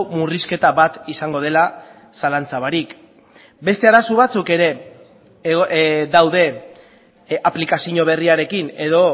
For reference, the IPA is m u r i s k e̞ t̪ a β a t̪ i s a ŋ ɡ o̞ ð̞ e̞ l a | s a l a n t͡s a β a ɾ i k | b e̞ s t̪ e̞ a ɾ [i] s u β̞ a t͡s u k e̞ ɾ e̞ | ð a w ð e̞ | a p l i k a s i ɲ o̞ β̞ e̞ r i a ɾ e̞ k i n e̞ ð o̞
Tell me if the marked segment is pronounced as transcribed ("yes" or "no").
no